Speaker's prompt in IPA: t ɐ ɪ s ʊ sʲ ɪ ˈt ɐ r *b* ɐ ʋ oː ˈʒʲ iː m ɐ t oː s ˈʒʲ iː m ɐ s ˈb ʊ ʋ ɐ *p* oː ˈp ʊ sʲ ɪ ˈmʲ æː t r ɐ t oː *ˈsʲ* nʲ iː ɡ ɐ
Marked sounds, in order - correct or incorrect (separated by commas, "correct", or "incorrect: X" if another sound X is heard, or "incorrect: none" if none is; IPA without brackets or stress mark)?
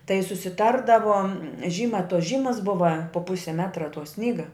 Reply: incorrect: d, correct, correct